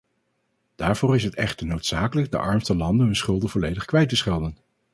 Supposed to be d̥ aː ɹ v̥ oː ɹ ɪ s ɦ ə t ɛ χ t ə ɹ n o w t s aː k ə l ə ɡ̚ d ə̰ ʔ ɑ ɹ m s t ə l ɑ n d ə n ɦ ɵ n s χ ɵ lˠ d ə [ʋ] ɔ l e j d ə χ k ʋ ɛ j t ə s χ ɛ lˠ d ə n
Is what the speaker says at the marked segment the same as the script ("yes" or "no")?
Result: no